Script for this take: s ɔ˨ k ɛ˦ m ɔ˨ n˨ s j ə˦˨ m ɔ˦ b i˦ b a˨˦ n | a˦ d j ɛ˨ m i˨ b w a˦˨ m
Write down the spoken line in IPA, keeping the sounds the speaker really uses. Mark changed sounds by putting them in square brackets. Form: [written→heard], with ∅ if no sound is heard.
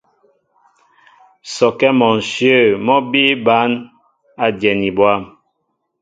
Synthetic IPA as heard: s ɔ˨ k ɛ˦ m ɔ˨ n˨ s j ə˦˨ m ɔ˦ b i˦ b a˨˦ n | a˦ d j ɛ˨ [m→n] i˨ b w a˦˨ m